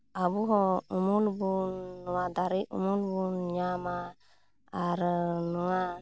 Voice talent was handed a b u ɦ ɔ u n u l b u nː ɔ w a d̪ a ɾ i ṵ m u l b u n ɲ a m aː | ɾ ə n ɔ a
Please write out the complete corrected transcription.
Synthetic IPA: a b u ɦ ɔ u m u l b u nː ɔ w a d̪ a ɾ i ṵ m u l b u n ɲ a m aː | ɾ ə n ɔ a